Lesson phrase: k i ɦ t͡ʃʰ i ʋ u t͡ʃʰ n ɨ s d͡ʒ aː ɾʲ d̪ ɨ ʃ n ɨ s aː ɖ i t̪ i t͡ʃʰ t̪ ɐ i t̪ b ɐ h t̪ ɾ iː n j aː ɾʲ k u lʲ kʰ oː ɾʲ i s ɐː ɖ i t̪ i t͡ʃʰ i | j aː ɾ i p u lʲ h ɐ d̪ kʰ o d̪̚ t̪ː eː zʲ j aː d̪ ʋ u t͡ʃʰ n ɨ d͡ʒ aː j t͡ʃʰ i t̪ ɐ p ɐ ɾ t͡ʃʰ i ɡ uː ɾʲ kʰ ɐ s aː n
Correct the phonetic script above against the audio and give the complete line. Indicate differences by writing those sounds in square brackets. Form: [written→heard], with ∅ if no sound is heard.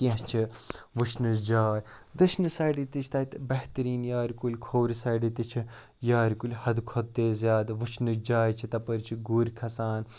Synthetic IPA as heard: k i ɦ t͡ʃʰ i ʋ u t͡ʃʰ n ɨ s d͡ʒ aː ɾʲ d̪ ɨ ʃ n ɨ s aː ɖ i t̪ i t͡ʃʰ t̪ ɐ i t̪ b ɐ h t̪ ɾ iː n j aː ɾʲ k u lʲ kʰ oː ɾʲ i s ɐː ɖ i t̪ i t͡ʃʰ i | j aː ɾ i [p→k] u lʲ h ɐ d̪ kʰ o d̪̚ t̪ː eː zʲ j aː d̪ ʋ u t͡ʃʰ n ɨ d͡ʒ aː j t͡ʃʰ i t̪ ɐ p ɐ ɾ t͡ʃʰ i ɡ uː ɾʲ kʰ ɐ s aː n